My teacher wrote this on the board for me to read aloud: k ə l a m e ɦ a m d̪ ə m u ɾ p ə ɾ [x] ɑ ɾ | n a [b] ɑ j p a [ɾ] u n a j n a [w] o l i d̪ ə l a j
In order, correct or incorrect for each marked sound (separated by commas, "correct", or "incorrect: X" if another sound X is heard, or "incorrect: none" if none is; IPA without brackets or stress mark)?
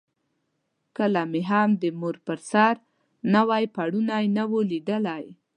incorrect: s, incorrect: w, incorrect: ɽ, correct